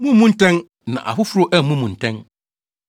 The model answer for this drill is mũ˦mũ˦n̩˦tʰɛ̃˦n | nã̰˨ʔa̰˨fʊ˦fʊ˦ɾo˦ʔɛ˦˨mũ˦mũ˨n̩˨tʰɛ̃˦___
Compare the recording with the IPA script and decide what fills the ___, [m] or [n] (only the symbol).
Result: n